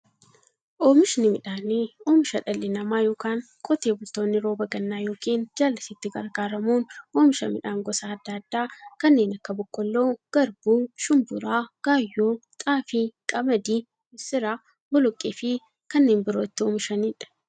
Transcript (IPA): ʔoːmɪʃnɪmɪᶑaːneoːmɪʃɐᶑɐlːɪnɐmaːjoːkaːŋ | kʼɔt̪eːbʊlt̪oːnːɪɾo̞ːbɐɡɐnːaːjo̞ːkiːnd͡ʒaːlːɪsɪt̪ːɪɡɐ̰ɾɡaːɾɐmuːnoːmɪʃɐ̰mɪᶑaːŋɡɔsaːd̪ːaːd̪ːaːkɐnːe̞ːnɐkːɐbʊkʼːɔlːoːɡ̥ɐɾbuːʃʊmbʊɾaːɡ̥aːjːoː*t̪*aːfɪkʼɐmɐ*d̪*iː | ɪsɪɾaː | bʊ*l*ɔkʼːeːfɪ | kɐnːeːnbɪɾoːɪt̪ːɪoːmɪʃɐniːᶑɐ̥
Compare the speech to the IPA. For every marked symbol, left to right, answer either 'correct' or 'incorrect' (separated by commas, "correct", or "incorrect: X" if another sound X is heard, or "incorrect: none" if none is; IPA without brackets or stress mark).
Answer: incorrect: t̪ʼ, correct, correct